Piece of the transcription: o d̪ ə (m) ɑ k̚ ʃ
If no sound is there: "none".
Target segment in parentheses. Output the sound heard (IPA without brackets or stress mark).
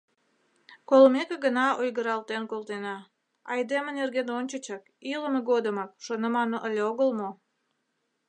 m